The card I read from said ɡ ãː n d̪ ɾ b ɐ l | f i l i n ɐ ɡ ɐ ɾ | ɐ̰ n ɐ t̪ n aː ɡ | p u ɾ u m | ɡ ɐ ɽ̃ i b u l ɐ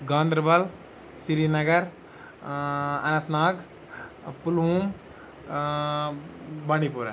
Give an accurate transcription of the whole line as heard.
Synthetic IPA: ɡ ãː n d̪ ɾ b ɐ l | s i ɾ i n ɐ ɡ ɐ ɾ | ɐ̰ n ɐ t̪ n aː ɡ | p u l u m | b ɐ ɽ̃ i p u ɾ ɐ